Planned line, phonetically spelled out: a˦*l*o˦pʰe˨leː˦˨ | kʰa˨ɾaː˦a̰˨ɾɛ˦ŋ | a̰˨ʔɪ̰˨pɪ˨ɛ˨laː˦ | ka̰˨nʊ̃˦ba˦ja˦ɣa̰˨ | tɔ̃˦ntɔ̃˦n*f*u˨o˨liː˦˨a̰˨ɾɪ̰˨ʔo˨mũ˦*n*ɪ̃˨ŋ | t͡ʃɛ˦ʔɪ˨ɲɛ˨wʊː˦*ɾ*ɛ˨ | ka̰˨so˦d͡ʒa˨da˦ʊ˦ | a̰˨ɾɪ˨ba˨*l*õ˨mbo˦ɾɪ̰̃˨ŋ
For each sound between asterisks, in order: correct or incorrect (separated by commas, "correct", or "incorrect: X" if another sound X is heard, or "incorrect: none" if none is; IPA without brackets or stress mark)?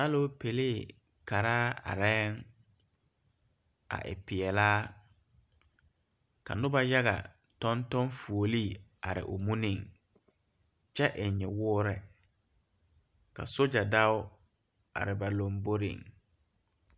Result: correct, correct, correct, correct, correct